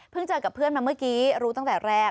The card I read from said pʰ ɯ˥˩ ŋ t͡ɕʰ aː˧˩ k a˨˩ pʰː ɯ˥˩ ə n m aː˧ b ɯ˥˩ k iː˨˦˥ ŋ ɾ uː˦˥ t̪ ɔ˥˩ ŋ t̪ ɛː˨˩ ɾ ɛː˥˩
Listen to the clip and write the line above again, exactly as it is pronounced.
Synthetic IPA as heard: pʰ ɯ˥˩ ŋ t͡ɕ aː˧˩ k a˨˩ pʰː ɯ˥˩ ə n m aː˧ m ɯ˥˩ k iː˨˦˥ ɾ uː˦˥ t̪ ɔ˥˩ ŋ t̪ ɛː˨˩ ɾ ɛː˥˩